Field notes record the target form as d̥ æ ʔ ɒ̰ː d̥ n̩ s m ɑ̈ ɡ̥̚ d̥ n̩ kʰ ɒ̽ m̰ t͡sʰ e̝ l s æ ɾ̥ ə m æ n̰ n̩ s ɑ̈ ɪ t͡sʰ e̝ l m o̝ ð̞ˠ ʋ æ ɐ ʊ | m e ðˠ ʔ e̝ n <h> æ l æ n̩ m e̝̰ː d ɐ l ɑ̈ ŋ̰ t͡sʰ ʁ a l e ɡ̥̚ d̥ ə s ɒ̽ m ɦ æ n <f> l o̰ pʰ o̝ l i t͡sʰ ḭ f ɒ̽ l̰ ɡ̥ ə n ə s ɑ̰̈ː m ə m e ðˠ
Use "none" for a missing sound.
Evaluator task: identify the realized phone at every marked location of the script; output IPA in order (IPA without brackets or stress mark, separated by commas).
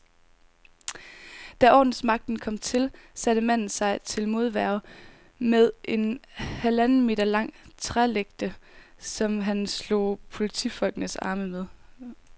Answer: h, s